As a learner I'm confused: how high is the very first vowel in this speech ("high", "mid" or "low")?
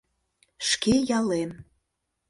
mid